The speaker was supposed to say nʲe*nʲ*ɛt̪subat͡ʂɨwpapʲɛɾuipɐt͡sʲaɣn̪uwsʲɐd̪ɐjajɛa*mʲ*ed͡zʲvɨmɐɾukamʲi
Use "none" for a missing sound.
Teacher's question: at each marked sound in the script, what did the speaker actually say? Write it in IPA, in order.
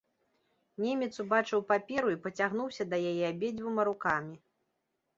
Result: mʲ, bʲ

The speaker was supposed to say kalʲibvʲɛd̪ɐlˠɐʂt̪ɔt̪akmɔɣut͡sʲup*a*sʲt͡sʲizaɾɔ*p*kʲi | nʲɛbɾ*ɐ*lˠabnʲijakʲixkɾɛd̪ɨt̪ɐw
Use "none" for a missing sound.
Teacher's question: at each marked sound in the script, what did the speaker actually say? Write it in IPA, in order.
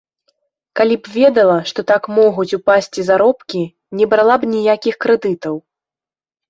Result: a, p, a

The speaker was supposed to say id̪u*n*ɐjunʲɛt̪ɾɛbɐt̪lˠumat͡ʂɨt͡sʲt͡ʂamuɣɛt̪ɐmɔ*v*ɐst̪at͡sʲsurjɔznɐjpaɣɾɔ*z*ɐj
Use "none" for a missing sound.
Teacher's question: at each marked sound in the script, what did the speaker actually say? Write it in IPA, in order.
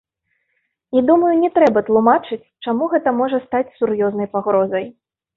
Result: m, ʐ, z

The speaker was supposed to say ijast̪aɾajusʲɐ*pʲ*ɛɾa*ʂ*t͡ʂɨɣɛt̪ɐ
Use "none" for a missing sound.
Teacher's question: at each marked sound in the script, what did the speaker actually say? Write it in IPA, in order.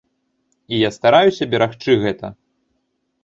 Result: bʲ, x

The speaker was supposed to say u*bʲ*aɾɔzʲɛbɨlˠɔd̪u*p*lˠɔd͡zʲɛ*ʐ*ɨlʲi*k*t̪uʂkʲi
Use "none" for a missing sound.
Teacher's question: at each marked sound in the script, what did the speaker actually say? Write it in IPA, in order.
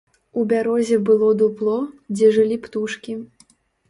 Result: bʲ, p, ʐ, p

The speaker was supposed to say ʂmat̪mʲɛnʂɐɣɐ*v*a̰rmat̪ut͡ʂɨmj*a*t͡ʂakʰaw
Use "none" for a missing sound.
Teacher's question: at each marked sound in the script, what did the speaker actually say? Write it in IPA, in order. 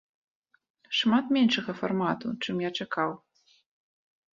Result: f, a

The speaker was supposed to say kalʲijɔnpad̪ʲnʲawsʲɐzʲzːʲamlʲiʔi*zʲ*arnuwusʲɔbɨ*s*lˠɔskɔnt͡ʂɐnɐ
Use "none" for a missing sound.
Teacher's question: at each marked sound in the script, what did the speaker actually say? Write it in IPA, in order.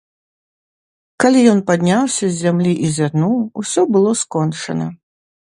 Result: zʲ, none

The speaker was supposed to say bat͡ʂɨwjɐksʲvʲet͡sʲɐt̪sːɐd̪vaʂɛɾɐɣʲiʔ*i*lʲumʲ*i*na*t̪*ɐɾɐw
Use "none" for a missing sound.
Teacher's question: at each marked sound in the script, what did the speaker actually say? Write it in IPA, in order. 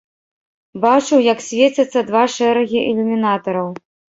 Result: ɛ, i, t̪

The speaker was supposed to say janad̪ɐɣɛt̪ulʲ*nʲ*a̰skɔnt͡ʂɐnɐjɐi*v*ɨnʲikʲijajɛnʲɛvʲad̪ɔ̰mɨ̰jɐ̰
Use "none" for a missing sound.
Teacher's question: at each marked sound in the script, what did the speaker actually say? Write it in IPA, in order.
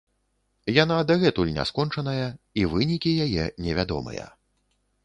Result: nʲ, v

